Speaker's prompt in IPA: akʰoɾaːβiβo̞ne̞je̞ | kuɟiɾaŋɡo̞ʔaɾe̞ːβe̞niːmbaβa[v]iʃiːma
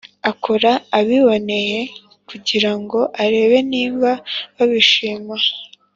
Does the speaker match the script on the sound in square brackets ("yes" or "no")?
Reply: no